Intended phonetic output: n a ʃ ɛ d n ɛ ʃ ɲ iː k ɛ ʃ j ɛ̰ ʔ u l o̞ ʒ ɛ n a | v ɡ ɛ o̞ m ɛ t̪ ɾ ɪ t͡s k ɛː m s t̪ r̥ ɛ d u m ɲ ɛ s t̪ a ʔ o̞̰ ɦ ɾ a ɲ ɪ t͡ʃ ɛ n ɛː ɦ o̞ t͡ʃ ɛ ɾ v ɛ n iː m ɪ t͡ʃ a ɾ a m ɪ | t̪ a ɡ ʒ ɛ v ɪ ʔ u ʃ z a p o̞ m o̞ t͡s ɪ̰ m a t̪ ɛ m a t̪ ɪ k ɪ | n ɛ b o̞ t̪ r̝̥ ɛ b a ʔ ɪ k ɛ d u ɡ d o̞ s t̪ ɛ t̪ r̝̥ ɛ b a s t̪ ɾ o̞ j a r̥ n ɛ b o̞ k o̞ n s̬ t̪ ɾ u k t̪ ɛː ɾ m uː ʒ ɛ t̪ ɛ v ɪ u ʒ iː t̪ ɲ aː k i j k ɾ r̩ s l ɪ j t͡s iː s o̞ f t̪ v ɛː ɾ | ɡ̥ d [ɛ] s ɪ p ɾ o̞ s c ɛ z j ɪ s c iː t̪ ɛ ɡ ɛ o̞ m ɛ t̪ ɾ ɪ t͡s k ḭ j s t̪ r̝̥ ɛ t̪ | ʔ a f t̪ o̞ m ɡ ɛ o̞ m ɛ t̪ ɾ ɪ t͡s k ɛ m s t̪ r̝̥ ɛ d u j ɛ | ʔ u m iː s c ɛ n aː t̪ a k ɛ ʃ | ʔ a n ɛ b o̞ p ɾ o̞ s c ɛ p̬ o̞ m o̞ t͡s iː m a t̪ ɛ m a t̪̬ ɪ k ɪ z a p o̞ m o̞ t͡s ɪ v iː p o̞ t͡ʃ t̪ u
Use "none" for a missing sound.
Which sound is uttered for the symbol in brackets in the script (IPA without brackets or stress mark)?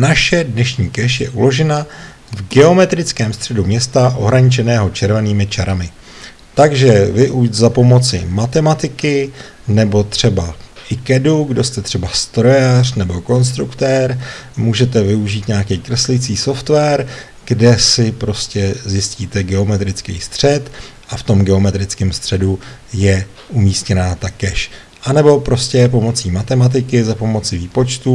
ɛ